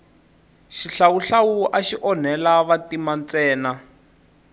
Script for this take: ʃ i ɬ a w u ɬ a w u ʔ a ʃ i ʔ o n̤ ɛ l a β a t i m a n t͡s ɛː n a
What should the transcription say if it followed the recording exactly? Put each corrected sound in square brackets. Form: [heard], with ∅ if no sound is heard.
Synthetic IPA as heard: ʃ i ɬ a w u ɬ a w u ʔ a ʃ i ʔ [ɔ] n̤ ɛ l a β a t i m a n t͡s ɛː n a

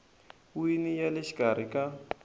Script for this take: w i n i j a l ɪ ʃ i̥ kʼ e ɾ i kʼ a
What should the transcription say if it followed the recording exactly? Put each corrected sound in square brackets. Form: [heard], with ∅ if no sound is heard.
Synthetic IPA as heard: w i n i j a l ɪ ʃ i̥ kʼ [a] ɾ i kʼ a

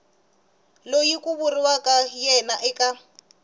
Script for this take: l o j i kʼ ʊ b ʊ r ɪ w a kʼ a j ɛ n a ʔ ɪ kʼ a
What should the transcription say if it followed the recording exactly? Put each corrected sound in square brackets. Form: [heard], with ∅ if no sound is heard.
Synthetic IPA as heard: l o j i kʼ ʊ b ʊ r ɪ w a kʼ a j ɛ n a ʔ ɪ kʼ a

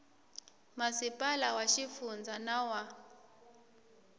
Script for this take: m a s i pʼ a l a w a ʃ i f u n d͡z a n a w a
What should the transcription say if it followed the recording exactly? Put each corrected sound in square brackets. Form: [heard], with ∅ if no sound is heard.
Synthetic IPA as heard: m a s i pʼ a l a w a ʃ i f u n d͡z a n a w a

